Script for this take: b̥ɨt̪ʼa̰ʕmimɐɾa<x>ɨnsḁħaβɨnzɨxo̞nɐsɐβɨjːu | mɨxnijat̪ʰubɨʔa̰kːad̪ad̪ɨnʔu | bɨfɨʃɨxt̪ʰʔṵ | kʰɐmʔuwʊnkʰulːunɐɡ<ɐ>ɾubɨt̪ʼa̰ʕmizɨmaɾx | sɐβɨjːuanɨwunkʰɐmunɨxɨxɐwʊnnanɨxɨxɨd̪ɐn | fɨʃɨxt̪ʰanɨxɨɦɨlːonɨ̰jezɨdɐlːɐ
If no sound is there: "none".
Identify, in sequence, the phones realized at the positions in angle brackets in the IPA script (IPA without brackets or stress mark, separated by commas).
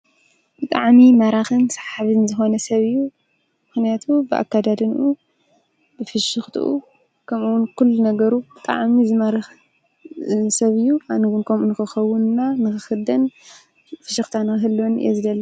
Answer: x, ɐ